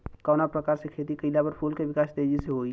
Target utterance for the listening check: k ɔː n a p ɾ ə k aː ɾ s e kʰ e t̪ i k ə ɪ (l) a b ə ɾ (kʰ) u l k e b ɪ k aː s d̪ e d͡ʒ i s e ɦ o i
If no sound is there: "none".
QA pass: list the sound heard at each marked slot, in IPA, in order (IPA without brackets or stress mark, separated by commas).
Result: l, pʰ